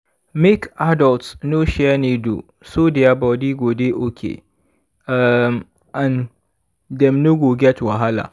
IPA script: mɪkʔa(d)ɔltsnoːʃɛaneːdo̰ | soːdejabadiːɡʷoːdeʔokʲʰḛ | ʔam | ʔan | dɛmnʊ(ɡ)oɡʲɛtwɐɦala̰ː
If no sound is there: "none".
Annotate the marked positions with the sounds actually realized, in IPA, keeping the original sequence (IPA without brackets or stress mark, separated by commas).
d, ɡ